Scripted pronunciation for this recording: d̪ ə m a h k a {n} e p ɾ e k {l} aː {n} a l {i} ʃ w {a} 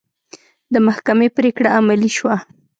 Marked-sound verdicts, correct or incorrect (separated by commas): incorrect, incorrect, incorrect, correct, correct